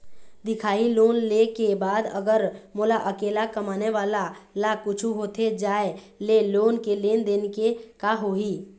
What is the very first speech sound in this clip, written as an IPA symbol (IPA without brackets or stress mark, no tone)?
d̪